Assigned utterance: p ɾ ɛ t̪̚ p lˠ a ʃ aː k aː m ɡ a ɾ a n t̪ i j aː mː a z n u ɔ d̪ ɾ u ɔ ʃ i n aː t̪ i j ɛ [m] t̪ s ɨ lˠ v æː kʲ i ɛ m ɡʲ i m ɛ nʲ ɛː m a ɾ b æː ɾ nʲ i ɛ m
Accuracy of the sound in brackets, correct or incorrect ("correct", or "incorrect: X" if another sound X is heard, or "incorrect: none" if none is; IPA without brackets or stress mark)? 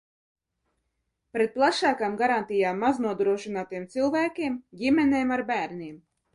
correct